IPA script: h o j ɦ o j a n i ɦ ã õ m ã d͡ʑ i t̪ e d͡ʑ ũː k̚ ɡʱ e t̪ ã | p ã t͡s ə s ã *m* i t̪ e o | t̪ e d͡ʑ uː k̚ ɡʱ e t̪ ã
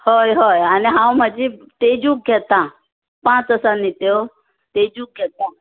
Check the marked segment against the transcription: incorrect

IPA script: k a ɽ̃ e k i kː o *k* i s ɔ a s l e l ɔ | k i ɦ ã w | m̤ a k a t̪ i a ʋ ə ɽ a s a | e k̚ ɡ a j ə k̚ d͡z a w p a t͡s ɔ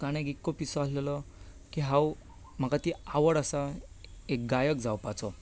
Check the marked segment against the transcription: incorrect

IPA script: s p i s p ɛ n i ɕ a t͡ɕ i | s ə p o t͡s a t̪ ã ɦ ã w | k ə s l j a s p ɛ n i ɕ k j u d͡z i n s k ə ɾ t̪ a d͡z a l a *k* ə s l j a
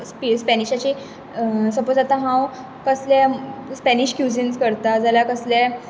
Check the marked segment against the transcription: correct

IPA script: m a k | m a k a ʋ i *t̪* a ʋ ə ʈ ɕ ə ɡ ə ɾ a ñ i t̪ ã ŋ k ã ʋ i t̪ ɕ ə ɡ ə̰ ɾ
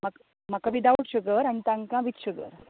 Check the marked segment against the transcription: incorrect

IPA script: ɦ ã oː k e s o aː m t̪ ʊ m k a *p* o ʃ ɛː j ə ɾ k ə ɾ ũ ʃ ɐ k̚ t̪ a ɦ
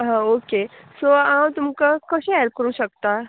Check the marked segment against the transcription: incorrect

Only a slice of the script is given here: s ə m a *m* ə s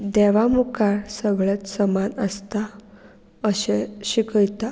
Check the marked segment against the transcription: incorrect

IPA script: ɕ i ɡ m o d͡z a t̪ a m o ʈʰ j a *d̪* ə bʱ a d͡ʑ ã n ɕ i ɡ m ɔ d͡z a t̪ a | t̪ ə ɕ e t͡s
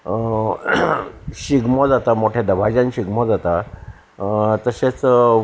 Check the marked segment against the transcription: correct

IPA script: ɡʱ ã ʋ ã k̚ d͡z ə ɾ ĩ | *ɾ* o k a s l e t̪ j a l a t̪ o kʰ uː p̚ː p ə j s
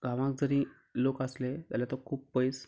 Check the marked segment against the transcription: incorrect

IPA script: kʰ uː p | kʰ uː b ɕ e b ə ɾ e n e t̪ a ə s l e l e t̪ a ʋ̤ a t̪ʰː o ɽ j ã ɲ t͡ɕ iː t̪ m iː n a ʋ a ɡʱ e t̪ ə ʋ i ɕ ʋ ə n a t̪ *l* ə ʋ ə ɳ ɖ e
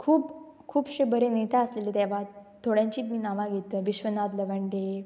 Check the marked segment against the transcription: correct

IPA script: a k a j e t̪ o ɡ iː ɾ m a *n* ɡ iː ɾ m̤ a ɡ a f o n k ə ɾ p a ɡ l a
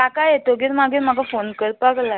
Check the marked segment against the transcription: incorrect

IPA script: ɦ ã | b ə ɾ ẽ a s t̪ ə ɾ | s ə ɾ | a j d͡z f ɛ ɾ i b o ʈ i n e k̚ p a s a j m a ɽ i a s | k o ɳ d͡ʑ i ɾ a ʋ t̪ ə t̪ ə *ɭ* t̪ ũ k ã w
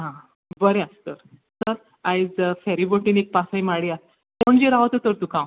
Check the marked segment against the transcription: incorrect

